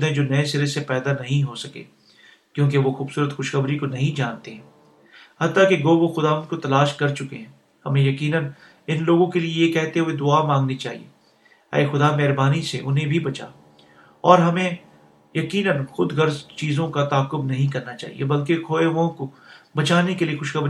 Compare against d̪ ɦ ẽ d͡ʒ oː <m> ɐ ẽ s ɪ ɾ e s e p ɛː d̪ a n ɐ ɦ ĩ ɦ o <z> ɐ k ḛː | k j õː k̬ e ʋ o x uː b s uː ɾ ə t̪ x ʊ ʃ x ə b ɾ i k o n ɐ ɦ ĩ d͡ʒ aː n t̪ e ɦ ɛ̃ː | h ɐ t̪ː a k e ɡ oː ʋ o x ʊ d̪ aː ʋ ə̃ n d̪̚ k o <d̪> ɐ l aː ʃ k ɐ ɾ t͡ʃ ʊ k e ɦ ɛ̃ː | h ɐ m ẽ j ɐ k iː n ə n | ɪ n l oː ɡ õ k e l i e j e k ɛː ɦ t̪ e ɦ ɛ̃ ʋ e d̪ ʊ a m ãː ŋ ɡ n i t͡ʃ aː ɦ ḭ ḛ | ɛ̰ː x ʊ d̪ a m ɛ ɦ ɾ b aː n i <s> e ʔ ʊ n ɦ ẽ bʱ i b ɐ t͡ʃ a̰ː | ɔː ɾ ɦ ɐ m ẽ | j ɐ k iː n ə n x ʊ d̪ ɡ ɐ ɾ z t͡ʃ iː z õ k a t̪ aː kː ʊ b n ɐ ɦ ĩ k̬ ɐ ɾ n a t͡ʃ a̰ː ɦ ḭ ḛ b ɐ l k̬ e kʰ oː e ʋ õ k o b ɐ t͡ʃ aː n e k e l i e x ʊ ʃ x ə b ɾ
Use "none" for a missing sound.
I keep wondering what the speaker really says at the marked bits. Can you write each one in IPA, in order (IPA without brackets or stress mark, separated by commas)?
n, s, t̪, s